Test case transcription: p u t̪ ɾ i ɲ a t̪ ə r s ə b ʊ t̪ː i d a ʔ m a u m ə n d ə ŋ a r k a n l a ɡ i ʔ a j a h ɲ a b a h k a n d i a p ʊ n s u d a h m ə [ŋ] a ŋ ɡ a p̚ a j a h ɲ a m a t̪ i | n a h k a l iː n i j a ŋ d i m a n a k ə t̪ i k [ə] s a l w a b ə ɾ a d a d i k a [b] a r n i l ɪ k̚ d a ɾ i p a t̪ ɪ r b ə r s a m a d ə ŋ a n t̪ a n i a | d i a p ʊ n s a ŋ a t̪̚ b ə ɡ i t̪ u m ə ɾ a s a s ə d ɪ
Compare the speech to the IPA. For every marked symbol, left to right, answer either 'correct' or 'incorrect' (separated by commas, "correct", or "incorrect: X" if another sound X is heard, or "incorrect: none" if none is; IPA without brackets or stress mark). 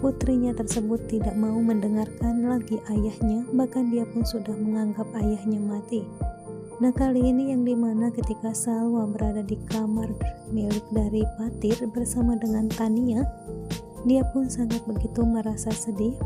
correct, incorrect: a, incorrect: m